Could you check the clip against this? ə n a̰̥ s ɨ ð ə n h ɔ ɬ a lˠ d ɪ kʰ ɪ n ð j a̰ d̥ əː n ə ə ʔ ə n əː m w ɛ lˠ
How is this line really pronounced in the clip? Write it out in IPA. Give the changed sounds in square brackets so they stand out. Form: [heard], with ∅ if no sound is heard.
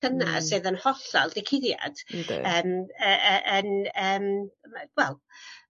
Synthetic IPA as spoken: ə n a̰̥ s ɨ ð ə n h ɔ ɬ a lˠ d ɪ kʰ ɪ [∅] ð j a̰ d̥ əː [m] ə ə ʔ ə n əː m w ɛ lˠ